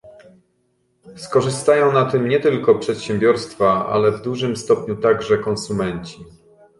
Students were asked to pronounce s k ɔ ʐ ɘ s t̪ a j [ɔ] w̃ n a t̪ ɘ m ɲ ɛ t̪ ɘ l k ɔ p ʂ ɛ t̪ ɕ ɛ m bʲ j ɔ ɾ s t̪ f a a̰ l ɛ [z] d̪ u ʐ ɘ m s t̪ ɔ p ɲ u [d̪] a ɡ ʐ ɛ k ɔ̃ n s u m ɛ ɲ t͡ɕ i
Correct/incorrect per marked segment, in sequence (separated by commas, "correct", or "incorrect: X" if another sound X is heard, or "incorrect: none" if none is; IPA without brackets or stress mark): incorrect: ɔ̃, incorrect: v, incorrect: t̪